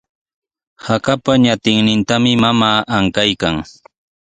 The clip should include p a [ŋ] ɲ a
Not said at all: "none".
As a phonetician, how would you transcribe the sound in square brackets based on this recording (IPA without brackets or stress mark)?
none